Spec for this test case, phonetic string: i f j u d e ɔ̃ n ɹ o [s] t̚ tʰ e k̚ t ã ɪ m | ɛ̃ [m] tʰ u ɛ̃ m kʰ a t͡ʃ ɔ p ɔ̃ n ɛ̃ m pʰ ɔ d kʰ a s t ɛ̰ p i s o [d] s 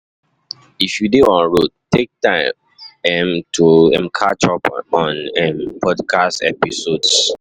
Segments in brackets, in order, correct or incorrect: incorrect: none, correct, correct

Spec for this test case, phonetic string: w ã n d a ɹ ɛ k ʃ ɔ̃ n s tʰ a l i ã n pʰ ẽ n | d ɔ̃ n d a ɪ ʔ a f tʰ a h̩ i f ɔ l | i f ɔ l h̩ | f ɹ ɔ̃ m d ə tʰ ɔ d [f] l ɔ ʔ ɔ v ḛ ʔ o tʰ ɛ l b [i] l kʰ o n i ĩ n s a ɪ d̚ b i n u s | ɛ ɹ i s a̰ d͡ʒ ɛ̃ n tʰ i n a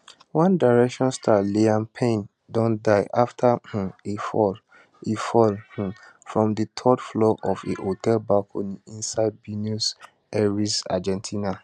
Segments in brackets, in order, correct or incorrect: correct, incorrect: a

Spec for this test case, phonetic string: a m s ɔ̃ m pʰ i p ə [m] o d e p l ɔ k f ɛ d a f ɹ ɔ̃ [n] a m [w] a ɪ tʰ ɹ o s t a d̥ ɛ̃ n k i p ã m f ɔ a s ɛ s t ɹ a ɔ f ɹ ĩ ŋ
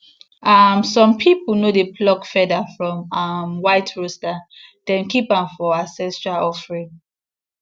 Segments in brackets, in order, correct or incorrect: incorrect: n, incorrect: m, correct

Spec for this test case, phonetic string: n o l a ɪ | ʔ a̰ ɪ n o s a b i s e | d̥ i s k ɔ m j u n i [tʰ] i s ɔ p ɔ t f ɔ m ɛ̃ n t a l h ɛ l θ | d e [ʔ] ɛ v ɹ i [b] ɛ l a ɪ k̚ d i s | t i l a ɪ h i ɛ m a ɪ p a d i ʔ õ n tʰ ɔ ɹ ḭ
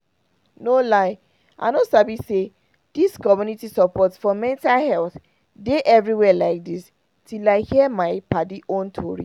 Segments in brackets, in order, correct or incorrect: incorrect: t, correct, incorrect: w

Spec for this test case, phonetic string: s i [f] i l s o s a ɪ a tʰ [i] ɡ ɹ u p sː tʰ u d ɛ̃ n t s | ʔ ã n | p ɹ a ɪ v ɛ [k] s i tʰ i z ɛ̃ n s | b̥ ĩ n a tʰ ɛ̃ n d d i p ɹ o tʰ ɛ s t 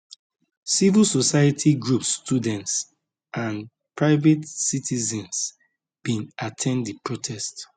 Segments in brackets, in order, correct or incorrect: incorrect: v, correct, incorrect: t

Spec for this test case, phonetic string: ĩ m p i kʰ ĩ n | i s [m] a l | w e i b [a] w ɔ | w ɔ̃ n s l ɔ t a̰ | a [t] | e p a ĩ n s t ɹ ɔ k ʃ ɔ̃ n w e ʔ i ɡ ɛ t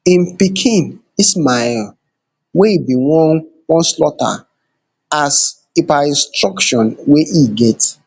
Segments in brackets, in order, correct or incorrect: correct, incorrect: i, incorrect: s

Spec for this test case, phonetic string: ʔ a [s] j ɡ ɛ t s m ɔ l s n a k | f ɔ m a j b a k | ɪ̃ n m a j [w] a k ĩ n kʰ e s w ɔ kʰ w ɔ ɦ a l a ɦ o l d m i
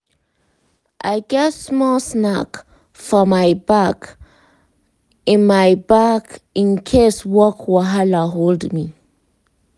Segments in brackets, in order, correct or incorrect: incorrect: none, incorrect: b

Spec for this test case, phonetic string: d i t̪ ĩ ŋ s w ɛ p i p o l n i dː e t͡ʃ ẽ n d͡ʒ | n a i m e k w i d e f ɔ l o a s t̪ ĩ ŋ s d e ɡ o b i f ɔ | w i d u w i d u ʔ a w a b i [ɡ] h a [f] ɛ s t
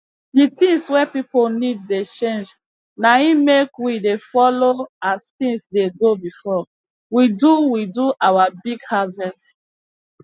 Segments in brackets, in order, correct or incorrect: correct, incorrect: v

